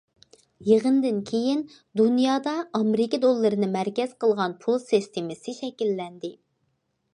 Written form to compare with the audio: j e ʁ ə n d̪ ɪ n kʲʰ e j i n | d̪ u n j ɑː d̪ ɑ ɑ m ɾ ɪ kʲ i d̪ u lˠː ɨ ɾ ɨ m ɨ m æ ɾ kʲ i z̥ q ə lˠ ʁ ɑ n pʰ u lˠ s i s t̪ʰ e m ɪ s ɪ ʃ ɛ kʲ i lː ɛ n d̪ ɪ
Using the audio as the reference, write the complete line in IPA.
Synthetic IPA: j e ʁ ə n d̪ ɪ n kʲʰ e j i n | d̪ u n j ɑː d̪ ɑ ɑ m ɾ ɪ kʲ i d̪ o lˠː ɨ ɾ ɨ n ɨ m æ ɾ kʲ ɛ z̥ q ə lˠ ʁ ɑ n pʰ u lˠ s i s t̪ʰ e m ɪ s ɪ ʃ ɛ kʲ i lː ɛ n d̪ ɪ